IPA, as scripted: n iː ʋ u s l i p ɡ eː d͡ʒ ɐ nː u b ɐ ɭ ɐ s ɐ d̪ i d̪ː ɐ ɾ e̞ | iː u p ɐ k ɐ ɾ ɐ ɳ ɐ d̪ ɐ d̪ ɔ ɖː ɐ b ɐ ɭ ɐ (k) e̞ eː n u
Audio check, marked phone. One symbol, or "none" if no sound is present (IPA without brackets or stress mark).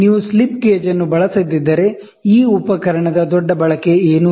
k